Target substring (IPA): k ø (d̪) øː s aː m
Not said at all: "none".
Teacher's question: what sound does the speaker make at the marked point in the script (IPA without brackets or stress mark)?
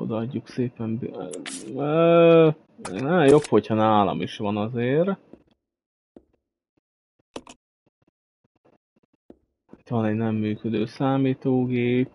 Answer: d̪